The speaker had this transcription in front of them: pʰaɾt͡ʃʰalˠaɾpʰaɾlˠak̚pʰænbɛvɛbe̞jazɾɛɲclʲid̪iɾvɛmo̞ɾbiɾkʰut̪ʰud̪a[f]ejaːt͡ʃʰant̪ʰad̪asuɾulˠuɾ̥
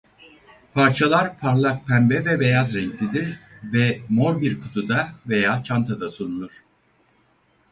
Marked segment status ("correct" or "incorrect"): incorrect